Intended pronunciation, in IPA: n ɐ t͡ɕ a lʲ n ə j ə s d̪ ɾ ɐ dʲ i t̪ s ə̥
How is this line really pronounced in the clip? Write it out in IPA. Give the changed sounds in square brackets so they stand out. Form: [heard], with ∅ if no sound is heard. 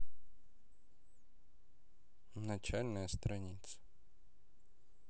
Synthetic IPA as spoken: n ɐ t͡ɕ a lʲ n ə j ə s [t̪] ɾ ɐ [nʲ] i t̪ s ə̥